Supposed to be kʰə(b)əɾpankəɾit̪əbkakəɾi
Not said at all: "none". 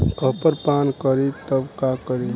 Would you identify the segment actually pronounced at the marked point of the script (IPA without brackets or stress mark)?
p